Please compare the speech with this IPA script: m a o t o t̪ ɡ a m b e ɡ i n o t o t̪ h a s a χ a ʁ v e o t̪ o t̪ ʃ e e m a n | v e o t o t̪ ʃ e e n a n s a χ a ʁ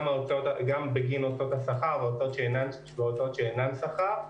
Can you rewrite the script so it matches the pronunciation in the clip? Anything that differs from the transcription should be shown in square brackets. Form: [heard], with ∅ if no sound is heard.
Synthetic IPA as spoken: m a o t o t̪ ɡ a m b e ɡ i n o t o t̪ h a s a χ a ʁ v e o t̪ o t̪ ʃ e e [n] a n | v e o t o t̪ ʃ e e n a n s a χ a ʁ